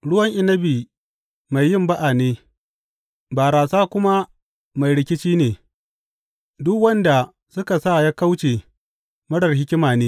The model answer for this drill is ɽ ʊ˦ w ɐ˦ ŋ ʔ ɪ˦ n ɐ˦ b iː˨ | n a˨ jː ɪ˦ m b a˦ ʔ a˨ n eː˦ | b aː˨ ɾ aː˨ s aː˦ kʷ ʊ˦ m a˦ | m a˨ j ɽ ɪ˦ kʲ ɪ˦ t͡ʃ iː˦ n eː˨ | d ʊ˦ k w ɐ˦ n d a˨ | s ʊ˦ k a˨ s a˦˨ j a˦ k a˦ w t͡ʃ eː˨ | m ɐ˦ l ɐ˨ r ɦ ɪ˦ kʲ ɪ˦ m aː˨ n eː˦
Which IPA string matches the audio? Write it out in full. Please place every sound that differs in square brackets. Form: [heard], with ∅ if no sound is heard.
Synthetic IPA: ɽ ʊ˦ w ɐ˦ ŋ ʔ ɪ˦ n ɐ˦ b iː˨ | [m] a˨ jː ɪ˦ m b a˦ ʔ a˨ n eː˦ | b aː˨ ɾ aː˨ s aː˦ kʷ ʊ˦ m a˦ | m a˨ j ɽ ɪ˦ kʲ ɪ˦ t͡ʃ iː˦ n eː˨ | d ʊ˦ k w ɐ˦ n d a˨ | s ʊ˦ k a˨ s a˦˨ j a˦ k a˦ w t͡ʃ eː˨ | m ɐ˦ [ɽ] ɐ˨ r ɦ ɪ˦ kʲ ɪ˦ m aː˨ n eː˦